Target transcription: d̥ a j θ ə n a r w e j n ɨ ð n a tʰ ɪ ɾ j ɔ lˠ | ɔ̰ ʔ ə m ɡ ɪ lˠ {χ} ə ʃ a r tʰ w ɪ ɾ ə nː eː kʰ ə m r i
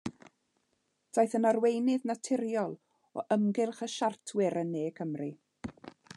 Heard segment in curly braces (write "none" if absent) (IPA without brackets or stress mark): χ